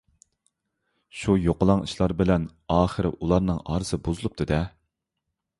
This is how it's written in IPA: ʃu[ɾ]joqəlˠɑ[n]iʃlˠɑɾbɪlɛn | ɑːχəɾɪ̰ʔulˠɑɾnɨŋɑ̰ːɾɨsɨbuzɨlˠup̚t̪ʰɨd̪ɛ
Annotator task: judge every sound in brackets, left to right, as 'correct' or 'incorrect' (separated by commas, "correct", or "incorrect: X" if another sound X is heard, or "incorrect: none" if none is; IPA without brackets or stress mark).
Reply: incorrect: none, incorrect: ŋ